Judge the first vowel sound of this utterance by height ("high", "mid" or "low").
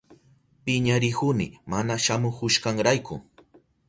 high